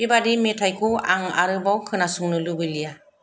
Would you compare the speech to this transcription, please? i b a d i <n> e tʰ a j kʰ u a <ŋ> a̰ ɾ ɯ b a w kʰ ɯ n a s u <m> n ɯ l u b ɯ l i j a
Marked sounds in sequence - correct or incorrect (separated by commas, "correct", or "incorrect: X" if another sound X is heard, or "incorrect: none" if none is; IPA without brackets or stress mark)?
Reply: incorrect: m, correct, incorrect: ŋ